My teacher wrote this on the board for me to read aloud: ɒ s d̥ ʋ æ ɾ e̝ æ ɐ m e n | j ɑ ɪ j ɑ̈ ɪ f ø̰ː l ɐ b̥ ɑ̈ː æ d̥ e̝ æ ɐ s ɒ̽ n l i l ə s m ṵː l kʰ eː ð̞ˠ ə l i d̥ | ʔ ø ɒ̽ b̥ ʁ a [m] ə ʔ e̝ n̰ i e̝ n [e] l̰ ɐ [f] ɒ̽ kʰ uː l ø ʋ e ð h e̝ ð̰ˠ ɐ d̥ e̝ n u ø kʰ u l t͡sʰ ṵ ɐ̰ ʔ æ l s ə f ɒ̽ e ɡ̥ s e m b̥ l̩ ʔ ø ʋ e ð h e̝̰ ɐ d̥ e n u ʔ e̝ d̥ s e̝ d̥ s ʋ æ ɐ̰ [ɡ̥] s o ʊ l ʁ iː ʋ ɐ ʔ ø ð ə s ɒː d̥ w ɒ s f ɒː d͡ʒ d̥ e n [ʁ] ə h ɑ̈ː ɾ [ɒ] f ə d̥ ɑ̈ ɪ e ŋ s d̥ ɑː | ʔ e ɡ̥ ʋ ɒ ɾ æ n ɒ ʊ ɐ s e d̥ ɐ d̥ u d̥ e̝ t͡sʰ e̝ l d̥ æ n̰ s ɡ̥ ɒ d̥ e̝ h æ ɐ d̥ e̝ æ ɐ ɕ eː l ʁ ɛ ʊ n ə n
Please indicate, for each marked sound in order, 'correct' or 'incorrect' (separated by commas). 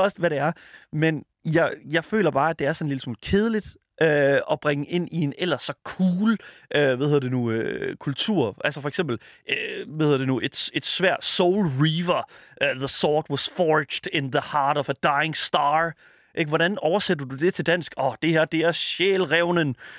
incorrect, correct, incorrect, incorrect, incorrect, correct